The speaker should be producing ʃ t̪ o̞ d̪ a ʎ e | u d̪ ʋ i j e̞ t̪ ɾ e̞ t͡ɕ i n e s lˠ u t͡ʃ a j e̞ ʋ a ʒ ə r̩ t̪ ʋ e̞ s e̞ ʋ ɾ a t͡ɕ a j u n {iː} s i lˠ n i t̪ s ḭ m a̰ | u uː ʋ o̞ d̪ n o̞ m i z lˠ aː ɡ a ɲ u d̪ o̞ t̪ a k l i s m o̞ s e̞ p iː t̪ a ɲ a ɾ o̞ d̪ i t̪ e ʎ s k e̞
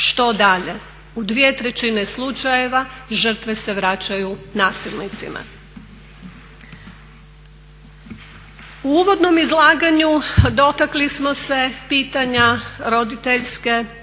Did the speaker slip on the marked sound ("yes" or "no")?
yes